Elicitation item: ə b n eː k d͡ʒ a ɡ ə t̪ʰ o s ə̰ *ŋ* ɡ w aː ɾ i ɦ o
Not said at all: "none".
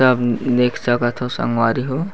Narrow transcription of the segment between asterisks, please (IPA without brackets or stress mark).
ŋ